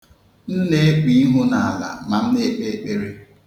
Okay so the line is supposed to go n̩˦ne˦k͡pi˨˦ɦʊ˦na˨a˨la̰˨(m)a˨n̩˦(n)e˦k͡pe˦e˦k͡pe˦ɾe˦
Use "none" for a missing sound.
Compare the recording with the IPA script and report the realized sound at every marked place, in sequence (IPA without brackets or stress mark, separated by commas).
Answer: m, n